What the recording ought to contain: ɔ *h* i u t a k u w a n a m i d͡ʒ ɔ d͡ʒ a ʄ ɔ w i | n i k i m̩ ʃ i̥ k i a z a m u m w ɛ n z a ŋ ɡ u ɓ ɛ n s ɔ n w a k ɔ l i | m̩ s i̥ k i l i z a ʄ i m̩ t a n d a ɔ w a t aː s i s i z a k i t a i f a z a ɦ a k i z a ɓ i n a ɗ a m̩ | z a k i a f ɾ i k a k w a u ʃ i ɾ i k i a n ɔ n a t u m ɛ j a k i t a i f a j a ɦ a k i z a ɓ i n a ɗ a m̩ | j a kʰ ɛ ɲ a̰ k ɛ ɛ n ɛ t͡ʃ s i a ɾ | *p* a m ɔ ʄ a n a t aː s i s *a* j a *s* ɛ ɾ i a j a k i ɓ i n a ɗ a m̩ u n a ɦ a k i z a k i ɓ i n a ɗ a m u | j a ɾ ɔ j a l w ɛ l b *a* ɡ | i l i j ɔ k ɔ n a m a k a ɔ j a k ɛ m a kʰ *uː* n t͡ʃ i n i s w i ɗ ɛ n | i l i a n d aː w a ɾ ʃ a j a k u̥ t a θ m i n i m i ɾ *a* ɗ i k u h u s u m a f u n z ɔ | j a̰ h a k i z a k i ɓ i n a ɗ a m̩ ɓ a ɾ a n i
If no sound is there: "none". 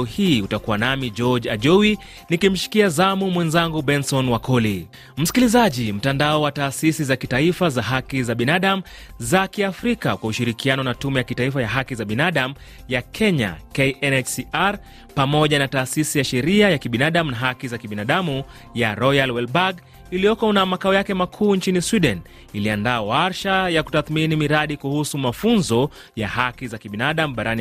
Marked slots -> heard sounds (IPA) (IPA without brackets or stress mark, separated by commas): h, p, i, ʃ, a, uː, a